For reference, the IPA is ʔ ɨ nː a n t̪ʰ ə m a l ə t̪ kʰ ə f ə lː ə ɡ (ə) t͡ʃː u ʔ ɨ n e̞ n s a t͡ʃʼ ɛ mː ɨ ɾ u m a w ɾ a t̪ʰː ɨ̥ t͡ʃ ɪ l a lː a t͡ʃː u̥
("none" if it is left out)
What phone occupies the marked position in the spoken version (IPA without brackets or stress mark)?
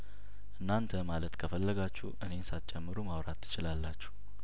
a